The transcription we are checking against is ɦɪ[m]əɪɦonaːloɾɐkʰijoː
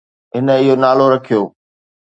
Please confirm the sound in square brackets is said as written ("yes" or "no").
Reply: no